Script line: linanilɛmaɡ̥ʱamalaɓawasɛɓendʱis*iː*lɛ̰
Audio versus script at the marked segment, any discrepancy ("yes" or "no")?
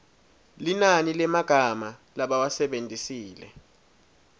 no